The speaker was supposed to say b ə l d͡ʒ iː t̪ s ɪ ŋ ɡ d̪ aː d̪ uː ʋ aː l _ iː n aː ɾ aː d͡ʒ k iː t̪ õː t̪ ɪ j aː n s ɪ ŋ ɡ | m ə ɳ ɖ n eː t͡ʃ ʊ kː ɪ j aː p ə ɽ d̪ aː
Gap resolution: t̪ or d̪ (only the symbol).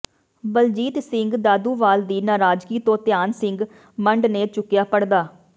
d̪